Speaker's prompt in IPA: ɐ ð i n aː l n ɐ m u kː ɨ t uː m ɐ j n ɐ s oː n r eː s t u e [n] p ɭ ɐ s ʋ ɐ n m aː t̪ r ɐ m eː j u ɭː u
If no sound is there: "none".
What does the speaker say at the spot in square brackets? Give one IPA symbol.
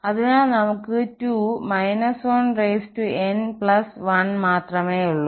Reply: n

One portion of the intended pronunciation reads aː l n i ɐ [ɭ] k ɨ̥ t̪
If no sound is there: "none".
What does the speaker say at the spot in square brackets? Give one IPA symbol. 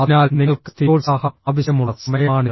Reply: ɭ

